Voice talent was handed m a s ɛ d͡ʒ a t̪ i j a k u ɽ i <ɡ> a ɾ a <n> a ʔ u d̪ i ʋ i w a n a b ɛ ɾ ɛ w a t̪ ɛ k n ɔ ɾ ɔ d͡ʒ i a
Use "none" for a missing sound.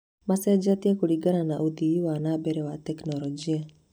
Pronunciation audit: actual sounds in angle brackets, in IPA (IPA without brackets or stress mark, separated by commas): ɡ, n